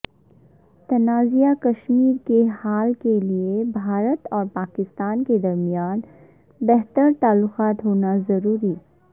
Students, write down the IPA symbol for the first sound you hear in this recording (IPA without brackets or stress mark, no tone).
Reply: t̪